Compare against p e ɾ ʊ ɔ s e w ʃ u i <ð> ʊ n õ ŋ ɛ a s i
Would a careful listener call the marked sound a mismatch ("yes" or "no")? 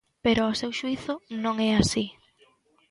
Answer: yes